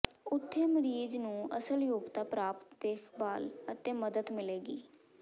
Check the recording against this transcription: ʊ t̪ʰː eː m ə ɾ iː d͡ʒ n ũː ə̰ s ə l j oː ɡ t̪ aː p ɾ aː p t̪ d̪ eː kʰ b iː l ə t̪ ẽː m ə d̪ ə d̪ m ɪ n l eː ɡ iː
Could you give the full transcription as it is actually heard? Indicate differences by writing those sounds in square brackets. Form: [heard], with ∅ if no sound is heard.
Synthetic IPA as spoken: ʊ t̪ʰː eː m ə ɾ iː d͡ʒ n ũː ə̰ s ə l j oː ɡ t̪ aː p ɾ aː p t̪ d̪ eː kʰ b [aː] l ə t̪ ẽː m ə d̪ ə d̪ m ɪ [∅] l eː ɡ iː